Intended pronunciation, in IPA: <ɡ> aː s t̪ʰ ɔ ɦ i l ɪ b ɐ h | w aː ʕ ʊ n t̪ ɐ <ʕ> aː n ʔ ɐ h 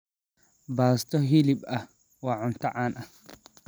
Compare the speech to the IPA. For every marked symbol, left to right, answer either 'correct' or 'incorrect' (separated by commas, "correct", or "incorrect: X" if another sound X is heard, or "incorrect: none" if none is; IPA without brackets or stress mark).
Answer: incorrect: b, correct